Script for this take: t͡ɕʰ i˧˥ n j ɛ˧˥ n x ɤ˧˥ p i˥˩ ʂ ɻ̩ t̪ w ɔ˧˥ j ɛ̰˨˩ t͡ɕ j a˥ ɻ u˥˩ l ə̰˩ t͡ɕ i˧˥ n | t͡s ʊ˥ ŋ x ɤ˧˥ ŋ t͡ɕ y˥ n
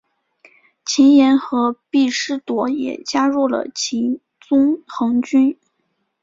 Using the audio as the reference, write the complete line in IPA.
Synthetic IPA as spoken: t͡ɕʰ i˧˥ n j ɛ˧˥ n x ɤ˧˥ p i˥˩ ʂ ɻ̩ t̪ w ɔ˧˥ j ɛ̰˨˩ t͡ɕ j a˥ ɻ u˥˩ l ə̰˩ t͡ɕʰ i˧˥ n | t͡s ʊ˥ ŋ x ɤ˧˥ ŋ t͡ɕ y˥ n

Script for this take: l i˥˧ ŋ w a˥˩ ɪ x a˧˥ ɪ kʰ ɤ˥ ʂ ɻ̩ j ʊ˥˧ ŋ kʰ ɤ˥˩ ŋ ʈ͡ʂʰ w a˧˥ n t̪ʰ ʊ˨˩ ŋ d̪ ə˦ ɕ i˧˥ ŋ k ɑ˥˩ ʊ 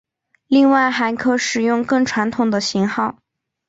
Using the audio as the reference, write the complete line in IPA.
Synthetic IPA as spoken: l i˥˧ ŋ w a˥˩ ɪ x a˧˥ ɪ kʰ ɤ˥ ʂ ɻ̩ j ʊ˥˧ ŋ k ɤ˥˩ ŋ ʈ͡ʂʰ w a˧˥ n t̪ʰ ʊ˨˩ ŋ d̪ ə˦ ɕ i˧˥ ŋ x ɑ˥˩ ʊ

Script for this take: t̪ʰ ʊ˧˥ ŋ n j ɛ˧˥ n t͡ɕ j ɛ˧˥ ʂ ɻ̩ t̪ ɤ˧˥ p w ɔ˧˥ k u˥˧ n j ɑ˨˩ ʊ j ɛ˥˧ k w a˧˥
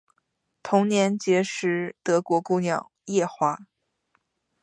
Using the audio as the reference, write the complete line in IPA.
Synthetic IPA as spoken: t̪ʰ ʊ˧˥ ŋ n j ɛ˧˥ n t͡ɕ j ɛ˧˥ ʂ ɻ̩ t̪ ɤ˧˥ k w ɔ˧˥ k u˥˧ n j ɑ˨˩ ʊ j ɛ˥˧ x w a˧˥

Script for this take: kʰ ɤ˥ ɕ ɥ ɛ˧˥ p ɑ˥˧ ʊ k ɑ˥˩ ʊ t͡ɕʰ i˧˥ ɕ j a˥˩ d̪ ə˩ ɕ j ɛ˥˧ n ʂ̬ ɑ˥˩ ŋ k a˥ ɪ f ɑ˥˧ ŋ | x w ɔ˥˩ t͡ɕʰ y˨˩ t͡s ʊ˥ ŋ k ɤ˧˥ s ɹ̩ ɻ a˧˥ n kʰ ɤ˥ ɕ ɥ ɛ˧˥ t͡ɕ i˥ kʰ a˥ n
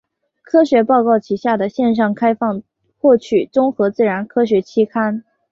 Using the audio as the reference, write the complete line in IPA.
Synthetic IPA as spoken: kʰ ɤ˥ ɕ ɥ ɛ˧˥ p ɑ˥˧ ʊ k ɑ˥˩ ʊ t͡ɕʰ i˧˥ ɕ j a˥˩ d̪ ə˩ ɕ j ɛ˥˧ n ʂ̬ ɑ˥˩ ŋ kʰ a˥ ɪ f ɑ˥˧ ŋ | x w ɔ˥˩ t͡ɕʰ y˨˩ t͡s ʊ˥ ŋ x ɤ˧˥ t͡s ɹ̩ ɻ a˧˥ n kʰ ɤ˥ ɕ ɥ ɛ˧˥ t͡ɕʰ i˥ kʰ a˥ n

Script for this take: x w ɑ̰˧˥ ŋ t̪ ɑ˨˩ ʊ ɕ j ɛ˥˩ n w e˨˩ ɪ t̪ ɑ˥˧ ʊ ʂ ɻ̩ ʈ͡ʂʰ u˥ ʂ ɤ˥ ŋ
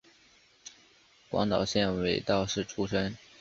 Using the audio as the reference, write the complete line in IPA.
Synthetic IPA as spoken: k w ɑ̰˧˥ ŋ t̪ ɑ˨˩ ʊ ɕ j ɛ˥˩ n w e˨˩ ɪ t̪ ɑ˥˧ ʊ ʂ ɻ̩ ʈ͡ʂʰ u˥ ʂ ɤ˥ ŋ

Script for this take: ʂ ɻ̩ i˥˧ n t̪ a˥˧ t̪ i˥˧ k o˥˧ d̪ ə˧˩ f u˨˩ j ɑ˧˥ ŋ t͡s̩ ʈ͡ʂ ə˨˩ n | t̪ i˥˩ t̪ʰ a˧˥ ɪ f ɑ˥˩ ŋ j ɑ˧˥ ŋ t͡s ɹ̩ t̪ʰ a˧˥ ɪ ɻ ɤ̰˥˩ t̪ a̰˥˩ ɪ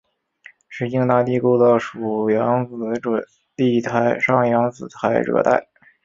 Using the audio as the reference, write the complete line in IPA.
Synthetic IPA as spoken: ʂ ɻ̩ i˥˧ ŋ t̪ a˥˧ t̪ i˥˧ k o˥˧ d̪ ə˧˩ ʂ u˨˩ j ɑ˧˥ ŋ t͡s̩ ʈ͡ʂ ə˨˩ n | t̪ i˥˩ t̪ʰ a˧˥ ɪ ʂ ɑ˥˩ ŋ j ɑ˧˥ ŋ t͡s ɹ̩ t̪ʰ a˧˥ ɪ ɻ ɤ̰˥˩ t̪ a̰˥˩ ɪ

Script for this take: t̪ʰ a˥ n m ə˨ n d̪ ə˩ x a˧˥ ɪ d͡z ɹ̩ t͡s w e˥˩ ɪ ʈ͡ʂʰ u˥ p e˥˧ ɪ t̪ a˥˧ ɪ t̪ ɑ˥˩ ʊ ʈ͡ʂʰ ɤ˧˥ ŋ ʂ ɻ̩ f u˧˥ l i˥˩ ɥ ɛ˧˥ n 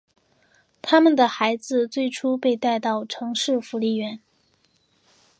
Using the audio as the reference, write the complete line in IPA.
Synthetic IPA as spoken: t̪ʰ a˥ m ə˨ n d̪ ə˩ x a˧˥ ɪ d͡z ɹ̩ t͡s w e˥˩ ɪ ʈ͡ʂʰ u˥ p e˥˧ ɪ t̪ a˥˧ ɪ t̪ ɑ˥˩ ʊ ʈ͡ʂʰ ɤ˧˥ ŋ ʂ ɻ̩ f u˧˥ l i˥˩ ɥ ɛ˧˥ n

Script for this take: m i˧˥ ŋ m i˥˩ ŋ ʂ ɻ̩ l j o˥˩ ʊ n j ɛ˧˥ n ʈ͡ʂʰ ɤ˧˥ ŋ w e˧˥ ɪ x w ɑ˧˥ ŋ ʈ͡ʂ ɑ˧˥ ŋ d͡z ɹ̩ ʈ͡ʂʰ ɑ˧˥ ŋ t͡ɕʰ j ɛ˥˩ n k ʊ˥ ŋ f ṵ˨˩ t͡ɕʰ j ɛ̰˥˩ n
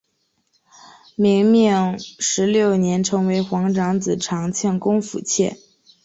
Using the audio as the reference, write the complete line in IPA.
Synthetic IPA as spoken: m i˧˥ ŋ m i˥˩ ŋ ʂ ɻ̩ l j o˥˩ ʊ n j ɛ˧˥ n ʈ͡ʂʰ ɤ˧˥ ŋ w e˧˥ ɪ x w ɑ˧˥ ŋ ʈ͡ʂ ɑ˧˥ ŋ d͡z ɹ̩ ʈ͡ʂʰ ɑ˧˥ ŋ t͡ɕʰ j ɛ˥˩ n k ʊ˥ ŋ f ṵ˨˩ t͡ɕʰ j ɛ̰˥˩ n

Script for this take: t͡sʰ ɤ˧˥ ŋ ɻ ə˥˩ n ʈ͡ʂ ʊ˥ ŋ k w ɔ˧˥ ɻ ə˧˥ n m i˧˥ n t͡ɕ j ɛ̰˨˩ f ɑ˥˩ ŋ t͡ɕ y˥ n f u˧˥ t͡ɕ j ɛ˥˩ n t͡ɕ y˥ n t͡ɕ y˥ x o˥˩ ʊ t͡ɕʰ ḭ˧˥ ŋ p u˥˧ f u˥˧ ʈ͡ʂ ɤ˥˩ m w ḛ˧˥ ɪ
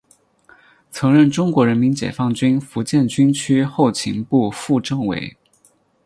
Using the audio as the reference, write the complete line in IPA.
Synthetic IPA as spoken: t͡sʰ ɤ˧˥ ŋ ɻ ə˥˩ n ʈ͡ʂ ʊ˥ ŋ k w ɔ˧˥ ɻ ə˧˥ n m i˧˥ n t͡ɕ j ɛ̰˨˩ f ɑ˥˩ ŋ t͡ɕ y˥ n f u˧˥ t͡ɕ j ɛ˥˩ n t͡ɕ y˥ n t͡ɕʰ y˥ x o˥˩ ʊ t͡ɕʰ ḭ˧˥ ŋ p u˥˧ f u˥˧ ʈ͡ʂ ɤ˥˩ ŋ w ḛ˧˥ ɪ

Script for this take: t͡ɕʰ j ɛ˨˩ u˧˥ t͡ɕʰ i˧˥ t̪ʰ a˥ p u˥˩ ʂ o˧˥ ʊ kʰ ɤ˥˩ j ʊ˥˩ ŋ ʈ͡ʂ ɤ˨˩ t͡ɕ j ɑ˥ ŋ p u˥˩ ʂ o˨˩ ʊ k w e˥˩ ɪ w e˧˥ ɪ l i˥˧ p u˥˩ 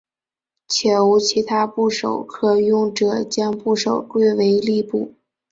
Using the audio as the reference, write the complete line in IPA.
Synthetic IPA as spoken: t͡ɕʰ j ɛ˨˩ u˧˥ t͡ɕʰ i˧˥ t̪ʰ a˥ p u˥˩ ʂ o˨˩ ʊ kʰ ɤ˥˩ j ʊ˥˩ ŋ ʈ͡ʂ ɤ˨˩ t͡ɕ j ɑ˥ ŋ p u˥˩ ʂ o˨˩ ʊ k w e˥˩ ɪ w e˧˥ ɪ l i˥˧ p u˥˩

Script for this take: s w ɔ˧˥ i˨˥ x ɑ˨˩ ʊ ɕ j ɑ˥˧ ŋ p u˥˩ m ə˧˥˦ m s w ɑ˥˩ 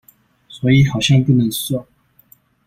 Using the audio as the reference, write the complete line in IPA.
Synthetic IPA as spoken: s w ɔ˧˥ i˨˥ x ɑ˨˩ ʊ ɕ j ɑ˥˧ ŋ p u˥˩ n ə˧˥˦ ŋ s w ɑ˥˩

